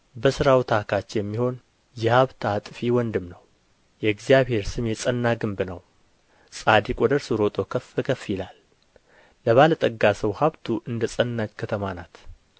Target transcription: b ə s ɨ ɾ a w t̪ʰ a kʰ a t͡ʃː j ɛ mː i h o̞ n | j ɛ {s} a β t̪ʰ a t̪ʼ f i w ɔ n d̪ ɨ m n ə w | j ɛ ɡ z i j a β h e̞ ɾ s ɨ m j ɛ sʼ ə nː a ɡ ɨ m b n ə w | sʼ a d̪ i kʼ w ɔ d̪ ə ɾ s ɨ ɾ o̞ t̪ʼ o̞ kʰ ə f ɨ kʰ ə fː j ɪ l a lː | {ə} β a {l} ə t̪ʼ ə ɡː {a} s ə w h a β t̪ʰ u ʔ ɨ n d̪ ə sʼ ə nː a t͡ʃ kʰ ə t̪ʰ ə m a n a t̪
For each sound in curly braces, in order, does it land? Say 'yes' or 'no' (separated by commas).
no, yes, yes, yes